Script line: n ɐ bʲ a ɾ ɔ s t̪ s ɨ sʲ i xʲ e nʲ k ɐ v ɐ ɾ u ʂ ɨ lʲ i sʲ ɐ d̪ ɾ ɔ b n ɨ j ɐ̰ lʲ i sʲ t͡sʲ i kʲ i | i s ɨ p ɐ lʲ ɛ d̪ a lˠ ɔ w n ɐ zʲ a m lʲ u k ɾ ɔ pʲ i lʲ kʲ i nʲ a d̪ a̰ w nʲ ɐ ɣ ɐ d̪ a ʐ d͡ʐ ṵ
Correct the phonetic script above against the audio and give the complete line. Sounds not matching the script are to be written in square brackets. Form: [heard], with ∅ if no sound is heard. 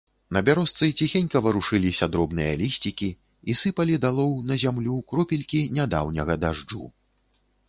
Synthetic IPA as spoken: n ɐ bʲ a ɾ ɔ s t̪ s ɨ [t͡sʲ] i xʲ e nʲ k ɐ v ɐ ɾ u ʂ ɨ lʲ i sʲ ɐ d̪ ɾ ɔ b n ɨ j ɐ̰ lʲ i sʲ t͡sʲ i kʲ i | i s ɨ p ɐ lʲ [i] d̪ a lˠ ɔ w n ɐ zʲ a m lʲ u k ɾ ɔ pʲ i lʲ kʲ i nʲ a d̪ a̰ w nʲ ɐ ɣ ɐ d̪ a ʐ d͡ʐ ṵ